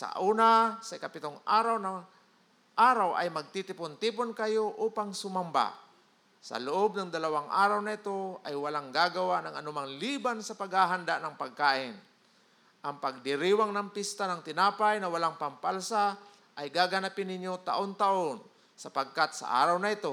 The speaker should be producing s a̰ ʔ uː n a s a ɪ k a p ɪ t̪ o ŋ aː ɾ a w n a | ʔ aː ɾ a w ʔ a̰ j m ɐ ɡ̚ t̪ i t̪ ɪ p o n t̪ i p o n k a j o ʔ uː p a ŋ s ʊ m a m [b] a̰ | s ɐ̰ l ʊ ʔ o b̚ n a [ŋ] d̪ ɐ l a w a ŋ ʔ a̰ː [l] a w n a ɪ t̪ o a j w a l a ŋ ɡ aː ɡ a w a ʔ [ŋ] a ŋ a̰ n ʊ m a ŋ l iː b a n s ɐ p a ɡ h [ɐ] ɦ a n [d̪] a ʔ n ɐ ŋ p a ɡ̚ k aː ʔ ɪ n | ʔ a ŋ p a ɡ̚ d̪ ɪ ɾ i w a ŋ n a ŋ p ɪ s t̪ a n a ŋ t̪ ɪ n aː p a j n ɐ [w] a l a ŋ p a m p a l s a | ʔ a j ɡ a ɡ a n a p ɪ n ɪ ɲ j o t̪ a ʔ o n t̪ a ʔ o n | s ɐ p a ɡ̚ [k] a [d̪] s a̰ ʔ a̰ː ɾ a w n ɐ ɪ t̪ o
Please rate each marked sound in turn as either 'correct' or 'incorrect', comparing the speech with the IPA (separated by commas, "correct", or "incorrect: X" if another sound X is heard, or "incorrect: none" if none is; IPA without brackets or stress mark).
correct, correct, incorrect: ɾ, incorrect: n, incorrect: a, correct, correct, correct, incorrect: t̪